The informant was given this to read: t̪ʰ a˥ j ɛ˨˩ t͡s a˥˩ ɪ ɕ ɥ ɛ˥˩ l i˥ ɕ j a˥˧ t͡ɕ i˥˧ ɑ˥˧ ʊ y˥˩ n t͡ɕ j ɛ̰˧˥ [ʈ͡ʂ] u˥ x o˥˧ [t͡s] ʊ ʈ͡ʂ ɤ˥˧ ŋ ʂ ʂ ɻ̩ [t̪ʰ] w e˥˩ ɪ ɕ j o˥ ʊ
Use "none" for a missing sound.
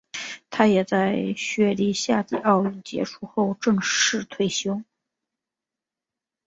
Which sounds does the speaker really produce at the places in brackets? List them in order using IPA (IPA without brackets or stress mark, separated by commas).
ʈ͡ʂʰ, none, t̪ʰ